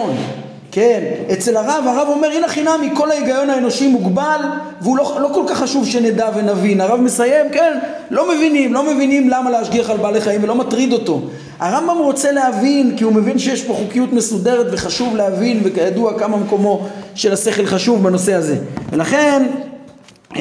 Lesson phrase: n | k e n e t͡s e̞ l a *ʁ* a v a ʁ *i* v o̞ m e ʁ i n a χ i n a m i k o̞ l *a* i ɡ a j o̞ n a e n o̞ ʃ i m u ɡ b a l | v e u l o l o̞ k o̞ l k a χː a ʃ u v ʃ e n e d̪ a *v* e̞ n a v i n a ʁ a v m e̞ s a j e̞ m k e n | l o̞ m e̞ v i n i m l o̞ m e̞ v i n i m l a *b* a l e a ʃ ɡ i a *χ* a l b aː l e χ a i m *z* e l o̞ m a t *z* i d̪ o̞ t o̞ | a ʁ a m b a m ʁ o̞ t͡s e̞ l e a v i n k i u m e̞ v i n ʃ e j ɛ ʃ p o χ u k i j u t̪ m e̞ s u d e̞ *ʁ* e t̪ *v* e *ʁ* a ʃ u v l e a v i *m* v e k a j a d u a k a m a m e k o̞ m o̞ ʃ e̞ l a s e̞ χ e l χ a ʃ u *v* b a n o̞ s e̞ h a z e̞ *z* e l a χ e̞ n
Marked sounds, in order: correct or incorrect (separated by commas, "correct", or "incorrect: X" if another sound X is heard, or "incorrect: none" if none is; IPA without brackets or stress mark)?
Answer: correct, incorrect: a, correct, correct, incorrect: m, correct, incorrect: v, incorrect: ʁ, correct, correct, incorrect: χ, incorrect: n, correct, incorrect: v